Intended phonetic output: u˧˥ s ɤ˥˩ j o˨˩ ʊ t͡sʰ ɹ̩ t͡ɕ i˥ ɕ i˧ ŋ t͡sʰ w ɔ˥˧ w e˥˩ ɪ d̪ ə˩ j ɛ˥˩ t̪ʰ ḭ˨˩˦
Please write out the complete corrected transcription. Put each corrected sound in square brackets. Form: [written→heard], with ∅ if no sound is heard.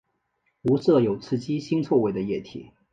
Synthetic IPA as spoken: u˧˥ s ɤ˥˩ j o˨˩ ʊ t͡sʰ ɹ̩ t͡ɕ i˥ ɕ [i˧→i˥] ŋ t͡sʰ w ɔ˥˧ w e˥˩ ɪ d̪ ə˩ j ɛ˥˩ t̪ʰ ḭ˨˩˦